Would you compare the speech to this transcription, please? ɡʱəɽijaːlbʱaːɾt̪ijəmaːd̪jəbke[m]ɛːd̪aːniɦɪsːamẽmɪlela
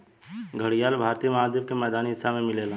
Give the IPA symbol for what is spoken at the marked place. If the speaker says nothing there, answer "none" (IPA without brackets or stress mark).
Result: m